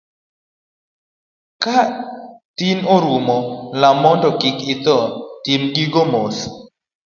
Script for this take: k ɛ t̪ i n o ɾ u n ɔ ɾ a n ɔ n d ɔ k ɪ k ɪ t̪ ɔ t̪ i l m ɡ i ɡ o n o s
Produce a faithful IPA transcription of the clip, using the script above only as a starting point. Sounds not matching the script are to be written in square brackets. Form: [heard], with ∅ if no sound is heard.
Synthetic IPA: k [a] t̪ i n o ɾ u [m] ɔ [l] a [m] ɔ n d ɔ k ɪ k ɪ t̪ ɔ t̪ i [∅] m ɡ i ɡ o [m] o s